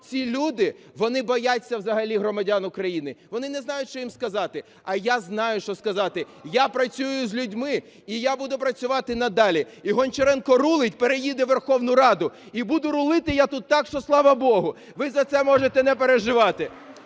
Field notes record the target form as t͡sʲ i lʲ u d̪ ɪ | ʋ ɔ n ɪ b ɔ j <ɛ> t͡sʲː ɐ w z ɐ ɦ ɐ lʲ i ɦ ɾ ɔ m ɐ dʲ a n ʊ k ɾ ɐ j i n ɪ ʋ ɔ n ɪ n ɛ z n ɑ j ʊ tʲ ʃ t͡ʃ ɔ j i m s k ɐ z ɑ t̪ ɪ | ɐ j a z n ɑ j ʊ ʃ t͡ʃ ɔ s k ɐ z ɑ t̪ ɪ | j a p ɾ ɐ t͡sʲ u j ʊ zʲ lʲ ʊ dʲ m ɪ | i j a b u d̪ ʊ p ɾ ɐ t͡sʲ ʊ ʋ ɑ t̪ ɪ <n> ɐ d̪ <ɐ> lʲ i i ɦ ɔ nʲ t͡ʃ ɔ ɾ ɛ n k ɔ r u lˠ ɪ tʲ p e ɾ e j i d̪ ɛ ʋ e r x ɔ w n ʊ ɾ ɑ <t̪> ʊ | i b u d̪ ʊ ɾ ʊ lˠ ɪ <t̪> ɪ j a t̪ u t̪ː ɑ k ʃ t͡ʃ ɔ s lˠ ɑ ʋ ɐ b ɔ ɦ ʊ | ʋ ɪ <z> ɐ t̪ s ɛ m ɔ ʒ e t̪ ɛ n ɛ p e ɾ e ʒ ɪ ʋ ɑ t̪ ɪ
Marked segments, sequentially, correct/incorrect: incorrect, correct, incorrect, incorrect, correct, correct

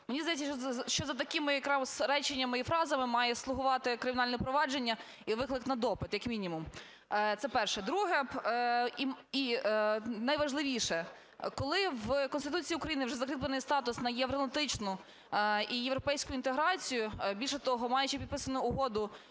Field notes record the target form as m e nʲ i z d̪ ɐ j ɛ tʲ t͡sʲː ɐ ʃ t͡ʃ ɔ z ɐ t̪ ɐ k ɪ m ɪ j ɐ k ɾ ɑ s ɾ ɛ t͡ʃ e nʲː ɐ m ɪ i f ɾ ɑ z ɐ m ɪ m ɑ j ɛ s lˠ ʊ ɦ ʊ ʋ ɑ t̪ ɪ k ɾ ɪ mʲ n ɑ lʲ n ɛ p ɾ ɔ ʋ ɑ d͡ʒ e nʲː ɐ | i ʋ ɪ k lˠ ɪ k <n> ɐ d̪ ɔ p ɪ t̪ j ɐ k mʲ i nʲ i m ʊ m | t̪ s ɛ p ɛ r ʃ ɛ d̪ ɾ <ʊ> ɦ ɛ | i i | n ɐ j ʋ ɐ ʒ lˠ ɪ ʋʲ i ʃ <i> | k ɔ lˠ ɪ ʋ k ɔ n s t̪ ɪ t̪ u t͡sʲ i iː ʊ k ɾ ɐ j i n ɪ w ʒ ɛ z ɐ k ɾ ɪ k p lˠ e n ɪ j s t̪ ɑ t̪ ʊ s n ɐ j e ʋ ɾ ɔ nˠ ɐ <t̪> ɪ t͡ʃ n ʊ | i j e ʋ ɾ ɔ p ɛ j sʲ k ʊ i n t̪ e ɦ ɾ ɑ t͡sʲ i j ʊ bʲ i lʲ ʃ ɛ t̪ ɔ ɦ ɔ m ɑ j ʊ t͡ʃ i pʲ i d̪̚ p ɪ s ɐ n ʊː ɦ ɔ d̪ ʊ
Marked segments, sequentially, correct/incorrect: correct, incorrect, incorrect, correct

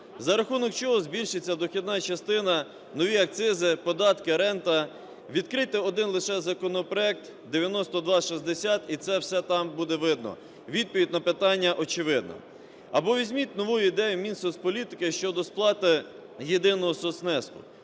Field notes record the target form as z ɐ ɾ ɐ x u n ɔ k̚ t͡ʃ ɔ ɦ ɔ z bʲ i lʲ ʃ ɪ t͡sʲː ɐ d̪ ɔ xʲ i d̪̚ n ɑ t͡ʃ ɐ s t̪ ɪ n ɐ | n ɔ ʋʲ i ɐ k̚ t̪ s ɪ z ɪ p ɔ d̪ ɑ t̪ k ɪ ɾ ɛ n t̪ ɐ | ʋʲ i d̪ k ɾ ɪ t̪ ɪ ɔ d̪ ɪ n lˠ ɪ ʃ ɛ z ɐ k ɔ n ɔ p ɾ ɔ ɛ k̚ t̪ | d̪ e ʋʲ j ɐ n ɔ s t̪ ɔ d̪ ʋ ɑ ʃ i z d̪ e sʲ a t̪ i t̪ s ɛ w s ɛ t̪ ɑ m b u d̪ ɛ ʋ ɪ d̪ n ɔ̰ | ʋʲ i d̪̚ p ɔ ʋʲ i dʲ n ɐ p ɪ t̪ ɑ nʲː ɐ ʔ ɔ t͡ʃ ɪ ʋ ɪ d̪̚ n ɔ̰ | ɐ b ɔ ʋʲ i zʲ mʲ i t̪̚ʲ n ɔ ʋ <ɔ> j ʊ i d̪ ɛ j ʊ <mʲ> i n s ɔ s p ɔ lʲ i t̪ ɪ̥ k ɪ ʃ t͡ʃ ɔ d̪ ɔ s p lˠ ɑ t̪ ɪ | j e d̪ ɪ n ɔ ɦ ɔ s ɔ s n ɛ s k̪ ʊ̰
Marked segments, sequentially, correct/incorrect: incorrect, correct

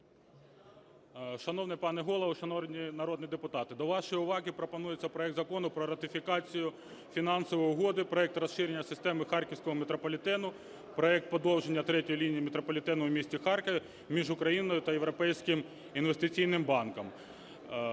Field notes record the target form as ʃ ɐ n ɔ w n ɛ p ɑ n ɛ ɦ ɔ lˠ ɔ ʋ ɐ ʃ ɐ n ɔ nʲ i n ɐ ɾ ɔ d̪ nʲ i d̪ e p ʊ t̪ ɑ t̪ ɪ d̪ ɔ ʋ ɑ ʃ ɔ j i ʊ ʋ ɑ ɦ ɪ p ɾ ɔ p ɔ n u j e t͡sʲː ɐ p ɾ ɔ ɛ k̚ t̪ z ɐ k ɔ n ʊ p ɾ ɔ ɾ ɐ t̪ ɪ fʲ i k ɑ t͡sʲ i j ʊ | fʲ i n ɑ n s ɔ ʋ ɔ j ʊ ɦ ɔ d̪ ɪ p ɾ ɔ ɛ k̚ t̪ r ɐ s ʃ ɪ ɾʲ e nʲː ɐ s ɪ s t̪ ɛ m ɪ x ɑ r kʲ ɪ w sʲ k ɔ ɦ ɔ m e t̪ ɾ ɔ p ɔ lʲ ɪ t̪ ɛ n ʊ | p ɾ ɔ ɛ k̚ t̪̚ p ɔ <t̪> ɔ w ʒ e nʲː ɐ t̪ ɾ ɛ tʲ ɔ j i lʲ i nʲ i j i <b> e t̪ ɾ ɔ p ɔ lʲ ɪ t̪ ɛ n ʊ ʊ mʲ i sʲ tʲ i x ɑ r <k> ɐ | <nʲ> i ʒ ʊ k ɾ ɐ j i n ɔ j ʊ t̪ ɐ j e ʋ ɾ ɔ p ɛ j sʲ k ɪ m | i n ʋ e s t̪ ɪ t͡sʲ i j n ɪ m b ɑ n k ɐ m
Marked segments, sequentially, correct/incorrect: incorrect, incorrect, correct, incorrect

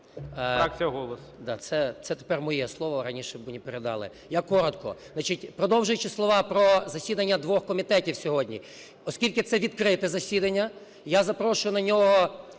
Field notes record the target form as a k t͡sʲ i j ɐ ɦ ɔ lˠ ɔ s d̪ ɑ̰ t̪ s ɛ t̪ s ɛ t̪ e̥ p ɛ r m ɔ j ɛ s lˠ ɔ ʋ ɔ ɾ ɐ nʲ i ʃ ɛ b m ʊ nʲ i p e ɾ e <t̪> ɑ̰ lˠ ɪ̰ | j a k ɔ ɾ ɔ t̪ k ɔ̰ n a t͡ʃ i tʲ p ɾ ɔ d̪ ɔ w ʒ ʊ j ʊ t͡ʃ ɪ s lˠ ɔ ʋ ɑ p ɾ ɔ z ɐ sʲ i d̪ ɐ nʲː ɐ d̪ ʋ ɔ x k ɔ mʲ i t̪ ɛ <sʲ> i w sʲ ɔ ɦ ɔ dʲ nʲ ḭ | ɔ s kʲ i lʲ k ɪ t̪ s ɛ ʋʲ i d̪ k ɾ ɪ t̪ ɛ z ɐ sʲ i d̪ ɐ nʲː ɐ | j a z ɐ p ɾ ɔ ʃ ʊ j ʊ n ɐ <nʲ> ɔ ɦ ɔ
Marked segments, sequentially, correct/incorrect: incorrect, incorrect, correct

